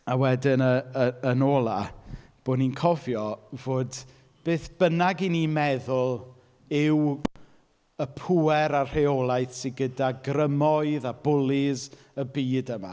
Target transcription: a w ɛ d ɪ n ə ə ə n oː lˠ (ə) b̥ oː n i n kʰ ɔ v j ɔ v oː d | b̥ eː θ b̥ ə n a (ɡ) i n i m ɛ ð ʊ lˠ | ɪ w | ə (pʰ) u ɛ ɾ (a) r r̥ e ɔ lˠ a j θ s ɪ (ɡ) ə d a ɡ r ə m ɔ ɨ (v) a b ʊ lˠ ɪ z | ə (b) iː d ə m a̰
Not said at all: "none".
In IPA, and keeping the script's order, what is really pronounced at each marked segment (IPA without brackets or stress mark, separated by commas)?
a, ɡ, pʰ, a, ɡ, ð, b